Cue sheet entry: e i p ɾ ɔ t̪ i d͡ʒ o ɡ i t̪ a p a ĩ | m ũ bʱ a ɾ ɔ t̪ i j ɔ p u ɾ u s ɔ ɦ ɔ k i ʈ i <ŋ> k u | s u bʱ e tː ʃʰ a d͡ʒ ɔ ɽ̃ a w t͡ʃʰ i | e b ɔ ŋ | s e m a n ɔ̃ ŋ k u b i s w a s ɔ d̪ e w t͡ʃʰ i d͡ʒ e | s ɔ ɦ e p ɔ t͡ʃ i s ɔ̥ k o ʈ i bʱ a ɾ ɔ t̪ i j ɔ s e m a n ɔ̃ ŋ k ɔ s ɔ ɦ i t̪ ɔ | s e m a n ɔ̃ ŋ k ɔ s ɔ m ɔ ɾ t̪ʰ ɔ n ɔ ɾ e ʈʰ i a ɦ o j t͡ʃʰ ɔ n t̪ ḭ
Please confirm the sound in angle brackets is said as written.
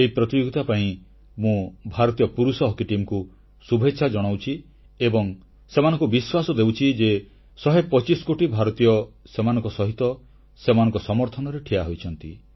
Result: no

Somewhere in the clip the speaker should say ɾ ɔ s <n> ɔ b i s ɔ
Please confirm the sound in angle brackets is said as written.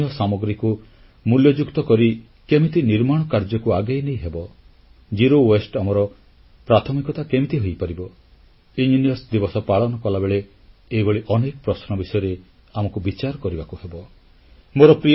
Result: yes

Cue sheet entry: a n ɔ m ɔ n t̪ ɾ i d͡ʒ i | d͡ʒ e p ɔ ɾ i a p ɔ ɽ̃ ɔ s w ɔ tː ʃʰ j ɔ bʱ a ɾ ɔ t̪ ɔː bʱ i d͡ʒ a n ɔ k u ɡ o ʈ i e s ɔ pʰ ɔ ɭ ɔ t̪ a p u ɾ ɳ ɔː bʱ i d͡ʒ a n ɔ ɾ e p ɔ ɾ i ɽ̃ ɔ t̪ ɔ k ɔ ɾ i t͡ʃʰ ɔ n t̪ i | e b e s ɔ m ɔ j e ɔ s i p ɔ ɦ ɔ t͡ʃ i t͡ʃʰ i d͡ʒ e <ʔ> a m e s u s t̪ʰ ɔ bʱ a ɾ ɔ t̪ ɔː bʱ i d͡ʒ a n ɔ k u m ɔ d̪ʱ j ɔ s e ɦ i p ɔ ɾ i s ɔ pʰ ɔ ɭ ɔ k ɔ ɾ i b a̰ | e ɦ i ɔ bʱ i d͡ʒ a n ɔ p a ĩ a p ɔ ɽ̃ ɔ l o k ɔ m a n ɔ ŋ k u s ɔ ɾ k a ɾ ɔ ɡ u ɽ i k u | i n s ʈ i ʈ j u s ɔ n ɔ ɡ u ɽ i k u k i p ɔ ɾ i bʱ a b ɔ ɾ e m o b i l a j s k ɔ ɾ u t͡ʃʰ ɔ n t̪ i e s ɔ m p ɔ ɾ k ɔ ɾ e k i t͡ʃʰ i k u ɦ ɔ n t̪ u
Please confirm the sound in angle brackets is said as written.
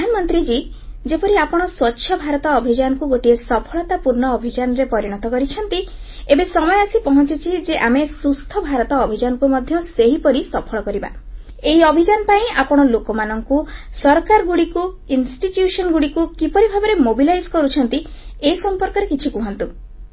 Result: yes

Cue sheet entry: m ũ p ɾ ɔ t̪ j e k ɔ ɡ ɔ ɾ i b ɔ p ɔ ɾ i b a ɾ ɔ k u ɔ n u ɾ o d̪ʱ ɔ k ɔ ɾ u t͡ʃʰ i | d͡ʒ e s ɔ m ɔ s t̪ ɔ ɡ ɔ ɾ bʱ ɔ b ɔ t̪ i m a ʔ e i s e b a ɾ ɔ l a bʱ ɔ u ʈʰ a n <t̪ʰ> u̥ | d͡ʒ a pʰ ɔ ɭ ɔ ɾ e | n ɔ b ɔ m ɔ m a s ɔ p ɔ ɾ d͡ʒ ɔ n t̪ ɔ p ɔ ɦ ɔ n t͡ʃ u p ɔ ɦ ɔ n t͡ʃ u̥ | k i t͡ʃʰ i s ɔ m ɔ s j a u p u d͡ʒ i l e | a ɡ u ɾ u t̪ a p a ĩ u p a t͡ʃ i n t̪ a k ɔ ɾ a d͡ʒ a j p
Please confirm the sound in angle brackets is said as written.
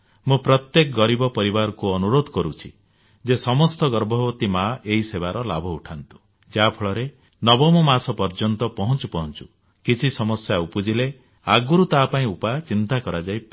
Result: no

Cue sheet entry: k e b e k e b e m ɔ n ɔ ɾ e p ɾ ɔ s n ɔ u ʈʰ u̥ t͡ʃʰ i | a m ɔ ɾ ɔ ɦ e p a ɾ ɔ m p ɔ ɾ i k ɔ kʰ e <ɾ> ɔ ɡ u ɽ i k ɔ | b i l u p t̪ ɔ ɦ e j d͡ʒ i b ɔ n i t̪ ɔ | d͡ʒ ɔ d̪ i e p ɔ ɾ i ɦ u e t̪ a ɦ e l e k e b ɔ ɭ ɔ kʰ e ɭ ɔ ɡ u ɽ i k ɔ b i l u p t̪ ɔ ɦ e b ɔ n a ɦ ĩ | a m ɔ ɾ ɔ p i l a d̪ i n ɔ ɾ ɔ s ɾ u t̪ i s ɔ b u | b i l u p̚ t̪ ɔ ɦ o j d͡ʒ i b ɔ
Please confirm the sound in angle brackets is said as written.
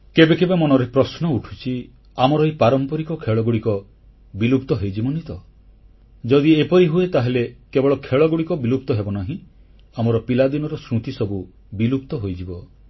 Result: no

